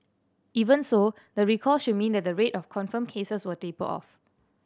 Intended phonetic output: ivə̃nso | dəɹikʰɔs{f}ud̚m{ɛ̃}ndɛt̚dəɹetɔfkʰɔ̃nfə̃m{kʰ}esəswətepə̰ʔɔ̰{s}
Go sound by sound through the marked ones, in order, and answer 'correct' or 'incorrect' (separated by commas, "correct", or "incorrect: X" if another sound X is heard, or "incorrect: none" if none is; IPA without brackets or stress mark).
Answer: incorrect: ʃ, incorrect: ĩ, correct, incorrect: f